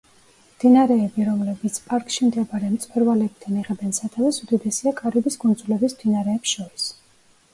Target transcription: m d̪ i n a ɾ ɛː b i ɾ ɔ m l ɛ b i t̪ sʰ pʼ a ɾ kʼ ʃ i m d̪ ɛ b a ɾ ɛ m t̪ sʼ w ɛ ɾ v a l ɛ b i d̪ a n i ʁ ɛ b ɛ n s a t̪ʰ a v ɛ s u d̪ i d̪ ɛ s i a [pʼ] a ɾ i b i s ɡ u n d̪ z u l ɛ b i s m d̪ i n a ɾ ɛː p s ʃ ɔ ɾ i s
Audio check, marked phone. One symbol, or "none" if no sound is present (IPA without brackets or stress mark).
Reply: kʼ